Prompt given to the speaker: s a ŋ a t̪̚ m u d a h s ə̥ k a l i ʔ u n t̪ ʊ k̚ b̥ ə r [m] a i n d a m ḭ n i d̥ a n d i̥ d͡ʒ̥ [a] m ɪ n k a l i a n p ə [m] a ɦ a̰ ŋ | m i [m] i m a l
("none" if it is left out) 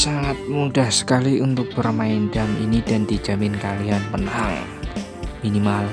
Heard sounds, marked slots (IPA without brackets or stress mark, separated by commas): m, a, n, n